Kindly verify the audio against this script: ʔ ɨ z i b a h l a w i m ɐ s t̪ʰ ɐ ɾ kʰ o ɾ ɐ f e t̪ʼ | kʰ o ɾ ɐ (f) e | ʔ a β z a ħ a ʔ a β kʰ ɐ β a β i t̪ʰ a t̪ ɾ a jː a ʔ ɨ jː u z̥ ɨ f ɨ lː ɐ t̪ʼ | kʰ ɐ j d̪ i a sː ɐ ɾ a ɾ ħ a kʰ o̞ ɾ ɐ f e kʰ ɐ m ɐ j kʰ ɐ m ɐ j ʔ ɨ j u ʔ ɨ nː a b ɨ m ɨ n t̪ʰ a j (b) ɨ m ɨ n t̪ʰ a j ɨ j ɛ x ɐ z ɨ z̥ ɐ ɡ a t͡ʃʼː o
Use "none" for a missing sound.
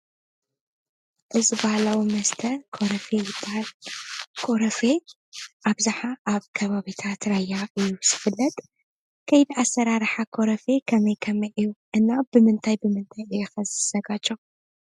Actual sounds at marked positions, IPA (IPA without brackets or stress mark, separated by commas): f, b